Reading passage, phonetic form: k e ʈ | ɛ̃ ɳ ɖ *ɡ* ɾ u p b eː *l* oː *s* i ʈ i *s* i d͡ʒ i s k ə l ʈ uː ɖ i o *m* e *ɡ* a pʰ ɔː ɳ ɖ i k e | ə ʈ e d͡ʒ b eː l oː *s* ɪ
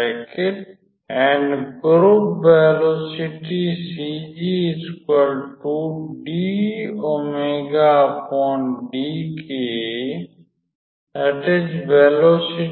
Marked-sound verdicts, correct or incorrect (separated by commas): correct, correct, correct, correct, correct, correct, correct